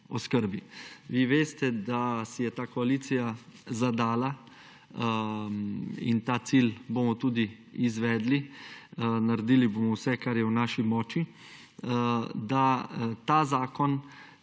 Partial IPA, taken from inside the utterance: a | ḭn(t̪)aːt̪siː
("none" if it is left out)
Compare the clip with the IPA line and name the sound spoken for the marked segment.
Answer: t̪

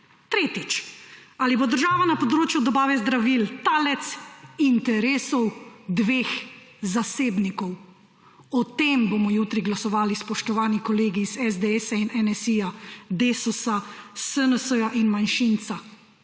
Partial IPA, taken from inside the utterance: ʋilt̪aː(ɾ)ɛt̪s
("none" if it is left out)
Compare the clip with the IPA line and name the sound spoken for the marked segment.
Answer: l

